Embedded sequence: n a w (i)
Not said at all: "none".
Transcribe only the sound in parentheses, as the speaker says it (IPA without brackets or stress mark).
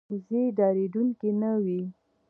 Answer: i